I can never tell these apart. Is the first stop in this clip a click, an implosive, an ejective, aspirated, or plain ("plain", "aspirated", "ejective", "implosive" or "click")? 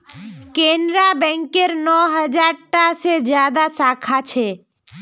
plain